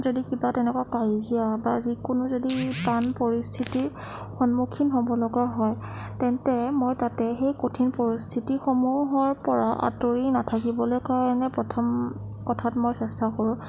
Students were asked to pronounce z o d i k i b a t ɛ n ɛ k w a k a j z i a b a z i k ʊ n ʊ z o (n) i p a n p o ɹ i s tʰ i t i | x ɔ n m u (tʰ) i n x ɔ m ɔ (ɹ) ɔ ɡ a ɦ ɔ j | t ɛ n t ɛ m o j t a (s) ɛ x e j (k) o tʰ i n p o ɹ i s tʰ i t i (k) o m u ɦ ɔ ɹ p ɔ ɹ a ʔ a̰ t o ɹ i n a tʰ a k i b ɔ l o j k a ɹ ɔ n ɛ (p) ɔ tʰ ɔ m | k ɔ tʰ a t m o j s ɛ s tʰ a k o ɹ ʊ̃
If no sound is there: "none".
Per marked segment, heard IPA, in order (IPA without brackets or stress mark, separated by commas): d, kʰ, l, t, k, x, p